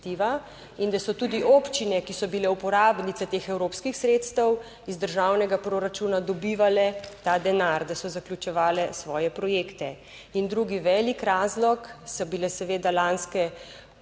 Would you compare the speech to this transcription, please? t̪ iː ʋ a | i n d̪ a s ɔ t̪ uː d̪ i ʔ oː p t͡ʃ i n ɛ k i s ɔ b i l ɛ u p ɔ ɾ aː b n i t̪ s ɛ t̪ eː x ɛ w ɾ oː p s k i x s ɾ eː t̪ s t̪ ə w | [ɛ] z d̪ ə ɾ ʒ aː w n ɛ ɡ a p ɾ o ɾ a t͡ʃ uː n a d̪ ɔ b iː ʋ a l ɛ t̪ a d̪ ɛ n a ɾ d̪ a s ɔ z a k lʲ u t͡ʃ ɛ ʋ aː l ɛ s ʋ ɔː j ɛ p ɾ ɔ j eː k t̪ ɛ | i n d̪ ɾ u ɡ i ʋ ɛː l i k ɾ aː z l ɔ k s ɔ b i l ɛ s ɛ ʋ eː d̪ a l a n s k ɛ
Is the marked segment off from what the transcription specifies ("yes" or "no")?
yes